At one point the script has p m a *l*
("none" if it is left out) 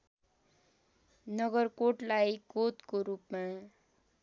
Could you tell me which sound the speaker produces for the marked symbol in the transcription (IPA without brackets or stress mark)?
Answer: none